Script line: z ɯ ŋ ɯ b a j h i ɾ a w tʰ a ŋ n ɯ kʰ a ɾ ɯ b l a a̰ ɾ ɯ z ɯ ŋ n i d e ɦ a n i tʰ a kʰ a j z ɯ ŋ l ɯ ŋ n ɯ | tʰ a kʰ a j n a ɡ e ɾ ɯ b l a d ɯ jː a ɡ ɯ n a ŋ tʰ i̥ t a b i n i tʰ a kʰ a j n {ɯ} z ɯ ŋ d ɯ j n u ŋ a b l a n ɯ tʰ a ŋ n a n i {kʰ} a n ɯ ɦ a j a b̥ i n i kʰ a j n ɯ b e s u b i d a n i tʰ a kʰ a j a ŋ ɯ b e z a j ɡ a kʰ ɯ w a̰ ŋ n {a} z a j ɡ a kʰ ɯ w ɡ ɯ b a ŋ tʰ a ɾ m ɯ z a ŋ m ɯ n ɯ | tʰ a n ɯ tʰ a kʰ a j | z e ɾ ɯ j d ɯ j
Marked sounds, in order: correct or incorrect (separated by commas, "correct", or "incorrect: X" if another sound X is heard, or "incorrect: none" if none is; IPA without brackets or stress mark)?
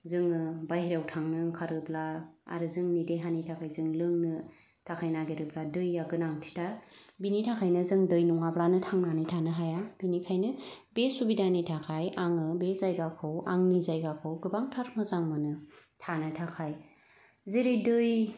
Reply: correct, incorrect: tʰ, incorrect: i